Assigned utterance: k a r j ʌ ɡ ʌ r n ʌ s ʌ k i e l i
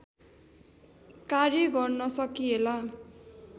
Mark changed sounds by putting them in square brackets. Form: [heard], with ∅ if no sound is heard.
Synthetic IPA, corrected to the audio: k a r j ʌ ɡ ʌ r n ʌ s ʌ k i e l [a]